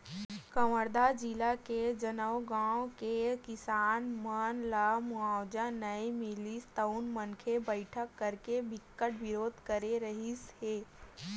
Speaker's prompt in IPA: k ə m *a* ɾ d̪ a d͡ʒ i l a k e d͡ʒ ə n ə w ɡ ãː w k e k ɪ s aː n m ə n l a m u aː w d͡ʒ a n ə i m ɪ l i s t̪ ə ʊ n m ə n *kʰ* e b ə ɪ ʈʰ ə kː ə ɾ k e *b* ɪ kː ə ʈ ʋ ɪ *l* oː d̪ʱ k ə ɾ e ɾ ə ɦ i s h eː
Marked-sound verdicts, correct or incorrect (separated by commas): incorrect, correct, correct, incorrect